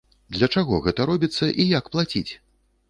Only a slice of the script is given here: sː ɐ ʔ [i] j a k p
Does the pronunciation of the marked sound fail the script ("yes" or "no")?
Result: no